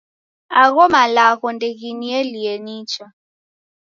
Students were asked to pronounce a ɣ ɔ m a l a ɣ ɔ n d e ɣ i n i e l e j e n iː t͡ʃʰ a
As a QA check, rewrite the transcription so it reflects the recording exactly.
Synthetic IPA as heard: a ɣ ɔ m a l a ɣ ɔ n d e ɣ i n i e l i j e n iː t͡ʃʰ a